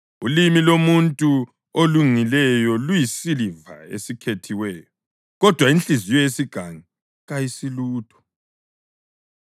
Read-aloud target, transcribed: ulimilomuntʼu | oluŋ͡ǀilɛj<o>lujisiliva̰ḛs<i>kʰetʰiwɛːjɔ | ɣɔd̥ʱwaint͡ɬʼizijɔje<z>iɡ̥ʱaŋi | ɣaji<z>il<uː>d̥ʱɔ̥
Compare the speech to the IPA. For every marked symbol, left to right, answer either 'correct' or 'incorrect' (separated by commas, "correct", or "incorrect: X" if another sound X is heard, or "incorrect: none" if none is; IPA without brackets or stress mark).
incorrect: ɔ, correct, incorrect: s, incorrect: s, correct